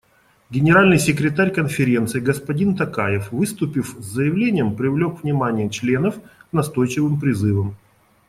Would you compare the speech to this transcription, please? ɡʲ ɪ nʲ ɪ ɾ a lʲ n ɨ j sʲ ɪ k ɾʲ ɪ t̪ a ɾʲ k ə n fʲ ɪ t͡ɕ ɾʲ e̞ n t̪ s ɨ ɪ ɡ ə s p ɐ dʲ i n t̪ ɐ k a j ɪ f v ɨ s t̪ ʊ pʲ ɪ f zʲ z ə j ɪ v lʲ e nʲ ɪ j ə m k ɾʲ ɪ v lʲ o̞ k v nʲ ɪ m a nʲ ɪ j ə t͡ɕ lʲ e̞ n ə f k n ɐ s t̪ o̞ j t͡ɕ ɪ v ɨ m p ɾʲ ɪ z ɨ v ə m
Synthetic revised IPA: ɡʲ ɪ nʲ ɪ ɾ a lʲ n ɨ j sʲ ɪ k ɾʲ ɪ t̪ a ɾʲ k ə n fʲ ɪ ɾʲ e̞ n t̪ s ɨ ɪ ɡ ə s p ɐ dʲ i n t̪ ɐ k a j ɪ f v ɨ s t̪ ʊ pʲ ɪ f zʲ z ə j ɪ v lʲ e nʲ ɪ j ə m p ɾʲ ɪ v lʲ o̞ k v nʲ ɪ m a nʲ ɪ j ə t͡ɕ lʲ e̞ n ə f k n ɐ s t̪ o̞ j t͡ɕ ɪ v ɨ m p ɾʲ ɪ z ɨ v ə m